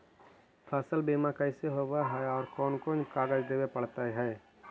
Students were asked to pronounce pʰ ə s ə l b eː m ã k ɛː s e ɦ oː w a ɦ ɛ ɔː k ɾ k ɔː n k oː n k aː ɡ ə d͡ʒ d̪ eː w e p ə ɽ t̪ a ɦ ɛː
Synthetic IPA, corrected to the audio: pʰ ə s ə l b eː m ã k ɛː s e ɦ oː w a ɦ ɛ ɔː ɾ k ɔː n k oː n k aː ɡ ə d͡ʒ d̪ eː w e p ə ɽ t̪ a ɦ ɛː